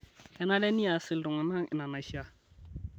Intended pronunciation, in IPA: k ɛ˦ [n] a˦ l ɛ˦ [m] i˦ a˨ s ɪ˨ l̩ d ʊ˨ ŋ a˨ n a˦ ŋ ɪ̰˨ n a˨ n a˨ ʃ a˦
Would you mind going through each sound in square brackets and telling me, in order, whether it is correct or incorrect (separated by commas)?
correct, incorrect